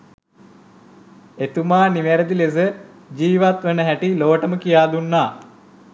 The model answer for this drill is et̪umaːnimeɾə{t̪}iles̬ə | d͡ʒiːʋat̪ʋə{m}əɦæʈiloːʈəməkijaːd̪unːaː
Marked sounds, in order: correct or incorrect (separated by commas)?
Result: incorrect, incorrect